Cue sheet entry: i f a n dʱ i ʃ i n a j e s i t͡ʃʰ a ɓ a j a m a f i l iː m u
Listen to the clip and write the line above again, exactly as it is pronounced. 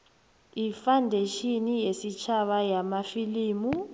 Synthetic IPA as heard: i f a n dʱ e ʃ i n i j e s i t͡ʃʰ a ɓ a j a m a f i l iː m u